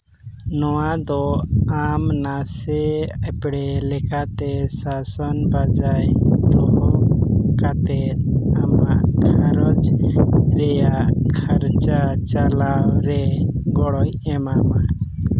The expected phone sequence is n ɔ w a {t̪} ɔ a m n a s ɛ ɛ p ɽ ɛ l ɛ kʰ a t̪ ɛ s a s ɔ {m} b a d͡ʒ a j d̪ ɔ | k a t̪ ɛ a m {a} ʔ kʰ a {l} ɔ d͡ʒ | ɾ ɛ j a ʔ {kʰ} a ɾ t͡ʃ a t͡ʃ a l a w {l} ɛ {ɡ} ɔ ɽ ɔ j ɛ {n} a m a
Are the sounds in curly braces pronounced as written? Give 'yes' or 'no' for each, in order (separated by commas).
no, no, yes, no, yes, no, yes, no